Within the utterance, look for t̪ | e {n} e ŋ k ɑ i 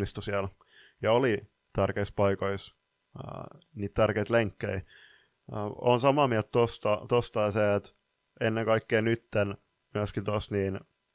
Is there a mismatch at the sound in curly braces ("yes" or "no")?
yes